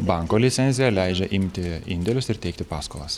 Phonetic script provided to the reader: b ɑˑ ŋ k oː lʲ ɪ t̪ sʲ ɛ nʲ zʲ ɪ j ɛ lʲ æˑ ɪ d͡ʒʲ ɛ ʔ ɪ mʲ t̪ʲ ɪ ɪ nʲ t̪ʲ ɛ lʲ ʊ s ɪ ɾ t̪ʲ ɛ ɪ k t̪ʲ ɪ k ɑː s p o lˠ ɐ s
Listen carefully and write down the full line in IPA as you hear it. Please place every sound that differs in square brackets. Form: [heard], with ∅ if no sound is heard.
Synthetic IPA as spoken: b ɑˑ ŋ k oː lʲ ɪ t̪ sʲ ɛ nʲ zʲ ɪ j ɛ lʲ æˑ ɪ d͡ʒʲ ɛ ʔ ɪ mʲ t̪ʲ ɪ ɪ nʲ [d̪ʲ] ɛ lʲ ʊ s ɪ ɾ t̪ʲ ɛ ɪ k t̪ʲ ɪ [p] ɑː s [k] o lˠ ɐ s